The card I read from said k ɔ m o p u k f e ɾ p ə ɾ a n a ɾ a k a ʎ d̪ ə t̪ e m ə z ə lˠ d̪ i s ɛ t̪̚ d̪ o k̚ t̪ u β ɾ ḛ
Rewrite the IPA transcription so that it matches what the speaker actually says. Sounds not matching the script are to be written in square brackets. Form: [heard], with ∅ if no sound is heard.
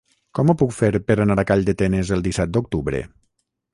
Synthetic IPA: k ɔ m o p u k f e ɾ p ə ɾ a n a ɾ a k a ʎ d̪ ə t̪ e [n] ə z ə lˠ d̪ i s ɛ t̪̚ d̪ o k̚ t̪ u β ɾ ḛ